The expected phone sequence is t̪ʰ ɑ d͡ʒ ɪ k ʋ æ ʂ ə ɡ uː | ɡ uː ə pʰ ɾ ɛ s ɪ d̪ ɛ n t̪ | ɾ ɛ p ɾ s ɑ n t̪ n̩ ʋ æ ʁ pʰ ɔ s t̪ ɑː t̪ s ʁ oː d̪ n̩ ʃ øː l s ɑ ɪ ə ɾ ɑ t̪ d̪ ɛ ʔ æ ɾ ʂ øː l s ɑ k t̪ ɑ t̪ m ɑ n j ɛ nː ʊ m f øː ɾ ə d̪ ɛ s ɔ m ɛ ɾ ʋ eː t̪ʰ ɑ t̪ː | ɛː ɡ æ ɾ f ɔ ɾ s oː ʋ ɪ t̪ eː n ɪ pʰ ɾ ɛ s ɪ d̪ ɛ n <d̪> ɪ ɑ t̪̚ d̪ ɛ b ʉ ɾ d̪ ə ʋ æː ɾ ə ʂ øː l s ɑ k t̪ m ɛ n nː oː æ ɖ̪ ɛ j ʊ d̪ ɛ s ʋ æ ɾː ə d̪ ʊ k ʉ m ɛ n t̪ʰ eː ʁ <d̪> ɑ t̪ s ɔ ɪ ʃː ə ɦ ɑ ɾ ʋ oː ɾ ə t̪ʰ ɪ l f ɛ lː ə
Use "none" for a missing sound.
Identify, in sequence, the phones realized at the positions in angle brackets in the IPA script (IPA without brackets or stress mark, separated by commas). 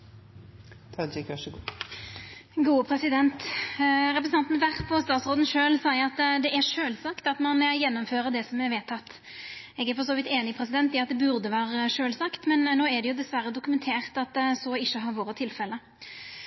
t̪, t̪